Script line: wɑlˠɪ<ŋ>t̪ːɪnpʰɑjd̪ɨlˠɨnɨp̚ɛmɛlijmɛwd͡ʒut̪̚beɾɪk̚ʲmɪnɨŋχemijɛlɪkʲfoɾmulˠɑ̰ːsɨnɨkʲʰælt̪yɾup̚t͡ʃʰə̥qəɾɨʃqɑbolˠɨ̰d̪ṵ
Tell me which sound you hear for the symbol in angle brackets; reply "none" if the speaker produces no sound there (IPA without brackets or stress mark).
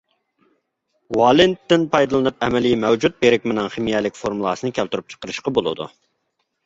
n